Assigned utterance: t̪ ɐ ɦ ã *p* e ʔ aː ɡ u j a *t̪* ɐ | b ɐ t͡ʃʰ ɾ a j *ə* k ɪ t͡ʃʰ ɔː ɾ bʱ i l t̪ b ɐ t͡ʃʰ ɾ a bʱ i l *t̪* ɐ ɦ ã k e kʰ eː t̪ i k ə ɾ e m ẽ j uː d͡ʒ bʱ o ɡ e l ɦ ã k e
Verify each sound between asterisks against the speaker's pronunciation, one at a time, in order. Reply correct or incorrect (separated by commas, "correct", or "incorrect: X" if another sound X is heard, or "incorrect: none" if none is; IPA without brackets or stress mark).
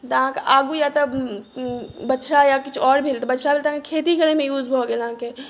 incorrect: k, correct, incorrect: a, correct